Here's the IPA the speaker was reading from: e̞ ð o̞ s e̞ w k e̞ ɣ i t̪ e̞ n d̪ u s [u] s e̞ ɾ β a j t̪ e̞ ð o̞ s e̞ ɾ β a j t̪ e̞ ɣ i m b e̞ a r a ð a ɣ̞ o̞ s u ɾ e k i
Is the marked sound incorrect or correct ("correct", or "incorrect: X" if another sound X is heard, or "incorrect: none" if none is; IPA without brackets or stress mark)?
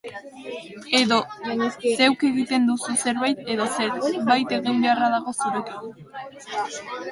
correct